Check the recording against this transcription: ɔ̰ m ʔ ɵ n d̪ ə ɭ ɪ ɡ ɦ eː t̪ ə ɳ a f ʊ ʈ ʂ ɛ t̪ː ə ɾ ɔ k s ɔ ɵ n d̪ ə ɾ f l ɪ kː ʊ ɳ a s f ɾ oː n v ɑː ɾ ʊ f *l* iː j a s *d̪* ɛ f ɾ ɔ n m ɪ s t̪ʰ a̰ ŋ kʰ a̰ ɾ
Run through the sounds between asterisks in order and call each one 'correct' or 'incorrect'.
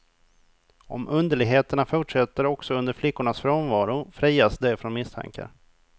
incorrect, correct

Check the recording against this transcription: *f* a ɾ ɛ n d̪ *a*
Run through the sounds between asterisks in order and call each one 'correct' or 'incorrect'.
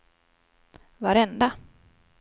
incorrect, correct

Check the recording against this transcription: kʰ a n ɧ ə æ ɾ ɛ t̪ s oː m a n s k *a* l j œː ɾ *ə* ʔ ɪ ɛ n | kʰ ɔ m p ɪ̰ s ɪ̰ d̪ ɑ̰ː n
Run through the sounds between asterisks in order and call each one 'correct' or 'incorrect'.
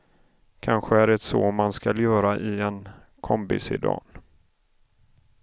correct, incorrect

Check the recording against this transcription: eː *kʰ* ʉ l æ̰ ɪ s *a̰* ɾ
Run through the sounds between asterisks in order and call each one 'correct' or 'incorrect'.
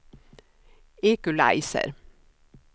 incorrect, incorrect

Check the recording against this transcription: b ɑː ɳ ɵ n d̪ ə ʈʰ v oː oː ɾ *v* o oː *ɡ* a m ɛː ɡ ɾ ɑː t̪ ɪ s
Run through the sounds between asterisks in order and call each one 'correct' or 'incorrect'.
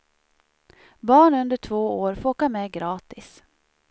incorrect, incorrect

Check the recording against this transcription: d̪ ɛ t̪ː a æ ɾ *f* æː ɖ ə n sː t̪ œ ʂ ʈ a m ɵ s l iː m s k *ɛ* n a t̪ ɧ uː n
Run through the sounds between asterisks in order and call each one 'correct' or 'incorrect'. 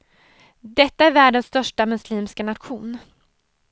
incorrect, incorrect

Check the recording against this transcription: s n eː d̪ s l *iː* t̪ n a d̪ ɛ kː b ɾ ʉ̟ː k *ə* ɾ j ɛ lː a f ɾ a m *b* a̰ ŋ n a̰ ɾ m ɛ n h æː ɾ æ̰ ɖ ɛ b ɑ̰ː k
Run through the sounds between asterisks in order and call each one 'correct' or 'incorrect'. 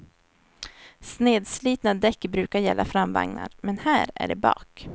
correct, incorrect, incorrect

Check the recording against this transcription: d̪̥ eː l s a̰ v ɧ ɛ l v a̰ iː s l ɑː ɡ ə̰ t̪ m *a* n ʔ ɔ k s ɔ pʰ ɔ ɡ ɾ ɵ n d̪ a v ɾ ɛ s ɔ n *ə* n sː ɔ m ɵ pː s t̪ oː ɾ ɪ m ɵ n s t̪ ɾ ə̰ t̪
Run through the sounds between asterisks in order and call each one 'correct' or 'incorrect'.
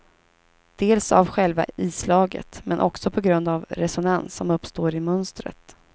incorrect, incorrect

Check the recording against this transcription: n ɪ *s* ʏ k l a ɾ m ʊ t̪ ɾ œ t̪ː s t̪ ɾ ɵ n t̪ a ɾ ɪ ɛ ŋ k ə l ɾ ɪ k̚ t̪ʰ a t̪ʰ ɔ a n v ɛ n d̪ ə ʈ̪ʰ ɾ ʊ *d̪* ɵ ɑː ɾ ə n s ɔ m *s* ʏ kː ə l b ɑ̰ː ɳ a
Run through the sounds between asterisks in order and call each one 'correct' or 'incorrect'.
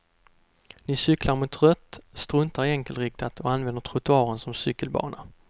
correct, incorrect, correct

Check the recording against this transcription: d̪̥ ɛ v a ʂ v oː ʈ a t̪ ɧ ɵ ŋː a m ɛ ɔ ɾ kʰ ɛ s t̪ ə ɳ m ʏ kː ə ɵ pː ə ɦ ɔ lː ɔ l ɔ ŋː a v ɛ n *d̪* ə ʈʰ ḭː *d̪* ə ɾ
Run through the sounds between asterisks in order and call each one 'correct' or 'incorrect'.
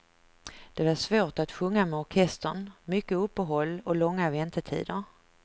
incorrect, correct

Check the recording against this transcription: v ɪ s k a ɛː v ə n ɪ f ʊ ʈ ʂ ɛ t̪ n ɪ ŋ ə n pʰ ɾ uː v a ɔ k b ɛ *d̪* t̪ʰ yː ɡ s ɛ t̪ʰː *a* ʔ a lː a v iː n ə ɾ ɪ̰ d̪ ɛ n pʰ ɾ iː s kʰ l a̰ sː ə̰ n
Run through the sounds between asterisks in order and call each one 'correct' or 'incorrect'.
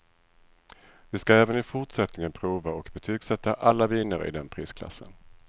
incorrect, correct

